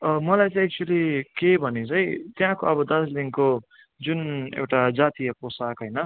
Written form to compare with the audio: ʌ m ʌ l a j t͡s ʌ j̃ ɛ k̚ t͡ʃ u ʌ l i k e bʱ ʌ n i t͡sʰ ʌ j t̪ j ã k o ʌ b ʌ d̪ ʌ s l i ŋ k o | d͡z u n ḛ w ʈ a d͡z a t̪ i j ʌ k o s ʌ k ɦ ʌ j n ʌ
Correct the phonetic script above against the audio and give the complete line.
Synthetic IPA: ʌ m ʌ l a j t͡s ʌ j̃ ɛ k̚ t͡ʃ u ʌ l i k e bʱ ʌ n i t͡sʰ ʌ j t̪ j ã k o ʌ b ʌ d̪ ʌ s l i ŋ k o | d͡z u n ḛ w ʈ a d͡z a t̪ i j ʌ p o s a k ɦ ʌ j n ʌ

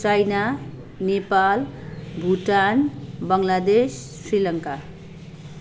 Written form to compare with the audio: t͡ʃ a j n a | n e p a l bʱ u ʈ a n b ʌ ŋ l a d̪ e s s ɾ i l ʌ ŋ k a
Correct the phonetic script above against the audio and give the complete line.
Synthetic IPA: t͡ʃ a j n a | n e p a l bʱ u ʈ a n b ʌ ŋ l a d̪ e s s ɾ i l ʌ ŋ k a

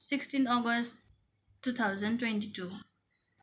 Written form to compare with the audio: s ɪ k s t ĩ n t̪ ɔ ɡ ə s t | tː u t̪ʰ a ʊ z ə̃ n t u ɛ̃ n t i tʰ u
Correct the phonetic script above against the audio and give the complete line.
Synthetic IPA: s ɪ k s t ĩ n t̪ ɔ ɡ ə s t | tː u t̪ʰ a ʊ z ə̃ n t w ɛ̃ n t i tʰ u

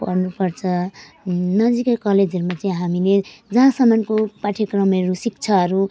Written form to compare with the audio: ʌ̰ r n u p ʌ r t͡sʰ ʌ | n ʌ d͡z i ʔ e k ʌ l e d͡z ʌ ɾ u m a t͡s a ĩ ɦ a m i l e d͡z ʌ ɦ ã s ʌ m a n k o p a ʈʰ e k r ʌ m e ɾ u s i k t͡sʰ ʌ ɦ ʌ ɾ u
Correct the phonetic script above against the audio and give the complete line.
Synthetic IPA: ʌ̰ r n u p ʌ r t͡sʰ ʌ | n ʌ d͡z i k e k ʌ l e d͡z ʌ ɾ u m a t͡s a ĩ ɦ a m i l e d͡z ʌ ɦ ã s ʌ m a n k o p a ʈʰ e k r ʌ m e ɾ u s i k t͡sʰ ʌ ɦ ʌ ɾ u

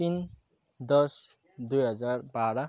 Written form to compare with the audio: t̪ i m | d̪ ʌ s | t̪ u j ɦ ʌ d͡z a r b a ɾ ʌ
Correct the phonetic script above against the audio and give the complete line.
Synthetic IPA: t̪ i n | d̪ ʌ s | d̪ u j ɦ ʌ d͡z a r b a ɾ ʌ

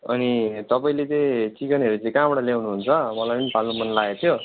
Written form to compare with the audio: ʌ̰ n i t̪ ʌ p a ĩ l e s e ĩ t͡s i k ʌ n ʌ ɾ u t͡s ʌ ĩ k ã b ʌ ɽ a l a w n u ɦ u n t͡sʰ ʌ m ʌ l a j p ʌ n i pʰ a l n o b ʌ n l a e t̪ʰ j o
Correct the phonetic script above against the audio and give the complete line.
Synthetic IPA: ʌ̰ n i t̪ ʌ p a ĩ l e t͡s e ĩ t͡s i k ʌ n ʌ ɾ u t͡s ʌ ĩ k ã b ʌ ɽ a l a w n u ɦ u n t͡sʰ ʌ m ʌ l a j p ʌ n i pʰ a l n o m ʌ n l a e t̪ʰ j o

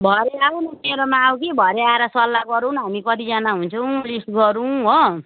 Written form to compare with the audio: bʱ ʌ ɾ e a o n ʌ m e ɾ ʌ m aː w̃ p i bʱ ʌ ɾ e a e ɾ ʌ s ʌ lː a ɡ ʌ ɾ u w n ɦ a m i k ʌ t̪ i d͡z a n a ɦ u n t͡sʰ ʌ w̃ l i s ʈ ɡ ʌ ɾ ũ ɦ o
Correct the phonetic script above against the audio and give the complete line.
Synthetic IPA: bʱ ʌ ɾ e a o n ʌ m e ɾ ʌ m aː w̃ k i bʱ ʌ ɾ e a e ɾ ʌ s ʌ lː a ɡ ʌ ɾ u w n ɦ a m i k ʌ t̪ i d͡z a n a ɦ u n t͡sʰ ʌ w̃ l i s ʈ ɡ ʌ ɾ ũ ɦ o

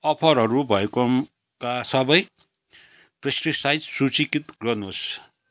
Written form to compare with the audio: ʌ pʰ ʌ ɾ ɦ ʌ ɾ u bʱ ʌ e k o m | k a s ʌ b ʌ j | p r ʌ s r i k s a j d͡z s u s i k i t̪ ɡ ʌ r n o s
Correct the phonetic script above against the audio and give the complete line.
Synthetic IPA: ʌ pʰ ʌ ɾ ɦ ʌ ɾ u bʱ ʌ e k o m | k a s ʌ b ʌ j | p r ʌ s r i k s a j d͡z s u t͡s i k i t̪ ɡ ʌ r n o s

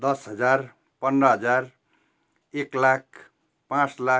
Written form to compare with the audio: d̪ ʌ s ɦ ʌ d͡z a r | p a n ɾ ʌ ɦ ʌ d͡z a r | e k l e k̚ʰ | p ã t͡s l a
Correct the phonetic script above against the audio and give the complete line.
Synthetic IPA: d̪ ʌ s ɦ ʌ d͡z a r | p ʌ n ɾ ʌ ɦ ʌ d͡z a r | e k l a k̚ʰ | p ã t͡s l a

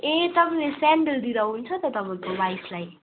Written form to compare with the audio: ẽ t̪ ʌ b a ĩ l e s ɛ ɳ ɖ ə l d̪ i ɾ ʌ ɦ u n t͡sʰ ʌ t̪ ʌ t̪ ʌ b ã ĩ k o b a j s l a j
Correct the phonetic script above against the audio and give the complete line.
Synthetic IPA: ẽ t̪ ʌ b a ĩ l e s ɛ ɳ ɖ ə l d̪ i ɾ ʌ ɦ u n t͡sʰ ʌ t̪ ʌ t̪ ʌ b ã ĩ k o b a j s l a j

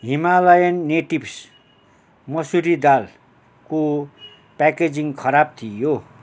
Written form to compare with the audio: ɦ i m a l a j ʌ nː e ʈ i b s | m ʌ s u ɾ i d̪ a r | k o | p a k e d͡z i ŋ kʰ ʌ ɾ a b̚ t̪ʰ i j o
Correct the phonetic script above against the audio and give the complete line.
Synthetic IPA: ɦ i m a l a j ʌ nː e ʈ i b s | m ʌ s u ɾ i d̪ a l | k o | p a k e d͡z i ŋ kʰ ʌ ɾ a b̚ t̪ʰ i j o

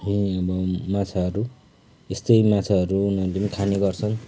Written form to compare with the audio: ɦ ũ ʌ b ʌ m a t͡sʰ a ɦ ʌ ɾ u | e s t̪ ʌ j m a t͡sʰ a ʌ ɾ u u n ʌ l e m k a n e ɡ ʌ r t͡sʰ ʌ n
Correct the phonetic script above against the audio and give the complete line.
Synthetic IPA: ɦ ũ ʌ b ʌ m a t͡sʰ a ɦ ʌ ɾ u | e s t̪ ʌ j m a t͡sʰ a ʌ ɾ u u n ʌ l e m kʰ a n e ɡ ʌ r t͡sʰ ʌ n

